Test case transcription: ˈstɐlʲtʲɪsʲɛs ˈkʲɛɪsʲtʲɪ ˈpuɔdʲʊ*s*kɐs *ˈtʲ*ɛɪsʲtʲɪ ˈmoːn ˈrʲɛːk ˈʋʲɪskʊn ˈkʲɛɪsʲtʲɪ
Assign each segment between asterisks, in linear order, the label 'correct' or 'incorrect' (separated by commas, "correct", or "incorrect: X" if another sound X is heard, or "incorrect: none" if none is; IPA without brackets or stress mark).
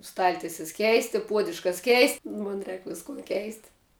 incorrect: ʃ, incorrect: kʲ